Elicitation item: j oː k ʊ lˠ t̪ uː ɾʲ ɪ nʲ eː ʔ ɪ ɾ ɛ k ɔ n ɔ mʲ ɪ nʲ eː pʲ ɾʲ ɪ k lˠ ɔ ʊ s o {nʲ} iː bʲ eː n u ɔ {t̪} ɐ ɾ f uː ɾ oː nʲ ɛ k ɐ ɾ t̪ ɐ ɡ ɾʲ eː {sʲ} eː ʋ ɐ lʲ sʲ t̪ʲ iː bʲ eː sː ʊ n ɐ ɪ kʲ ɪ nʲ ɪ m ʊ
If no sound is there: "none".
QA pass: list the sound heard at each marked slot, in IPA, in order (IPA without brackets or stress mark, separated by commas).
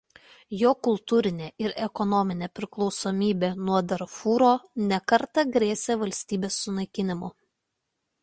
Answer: mʲ, d̪, sʲ